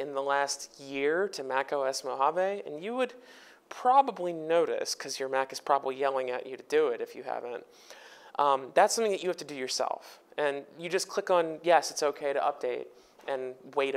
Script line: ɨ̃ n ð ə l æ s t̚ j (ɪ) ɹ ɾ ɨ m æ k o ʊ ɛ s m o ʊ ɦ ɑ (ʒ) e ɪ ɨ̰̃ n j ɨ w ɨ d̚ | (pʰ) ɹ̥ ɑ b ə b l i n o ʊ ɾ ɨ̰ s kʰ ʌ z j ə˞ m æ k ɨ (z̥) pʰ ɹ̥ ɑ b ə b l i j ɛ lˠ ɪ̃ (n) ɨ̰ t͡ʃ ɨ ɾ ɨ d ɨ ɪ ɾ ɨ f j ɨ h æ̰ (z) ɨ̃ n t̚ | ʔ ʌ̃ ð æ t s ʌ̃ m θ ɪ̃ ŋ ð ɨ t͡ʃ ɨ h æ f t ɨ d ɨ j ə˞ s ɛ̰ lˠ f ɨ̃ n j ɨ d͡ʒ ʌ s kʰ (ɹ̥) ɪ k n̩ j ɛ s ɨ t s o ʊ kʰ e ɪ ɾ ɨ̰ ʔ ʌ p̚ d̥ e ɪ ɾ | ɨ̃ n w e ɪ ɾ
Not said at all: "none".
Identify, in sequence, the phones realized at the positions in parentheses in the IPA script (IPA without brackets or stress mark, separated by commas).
ɪ, v, pʰ, z̥, ŋ, v, l̥